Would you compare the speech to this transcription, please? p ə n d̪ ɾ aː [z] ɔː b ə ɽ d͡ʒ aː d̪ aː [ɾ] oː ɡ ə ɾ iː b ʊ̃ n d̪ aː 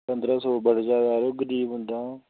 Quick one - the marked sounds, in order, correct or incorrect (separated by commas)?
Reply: incorrect, correct